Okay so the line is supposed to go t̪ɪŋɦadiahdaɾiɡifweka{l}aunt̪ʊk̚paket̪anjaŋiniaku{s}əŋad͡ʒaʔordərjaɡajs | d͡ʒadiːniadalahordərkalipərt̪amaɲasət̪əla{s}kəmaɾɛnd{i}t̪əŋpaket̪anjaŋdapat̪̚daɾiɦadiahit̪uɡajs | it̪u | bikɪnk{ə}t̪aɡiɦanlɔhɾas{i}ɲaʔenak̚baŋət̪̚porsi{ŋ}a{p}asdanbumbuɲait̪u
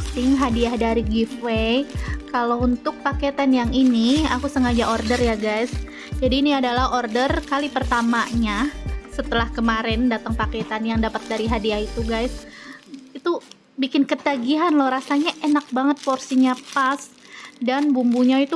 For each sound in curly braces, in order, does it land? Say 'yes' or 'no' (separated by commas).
yes, yes, no, no, yes, no, no, yes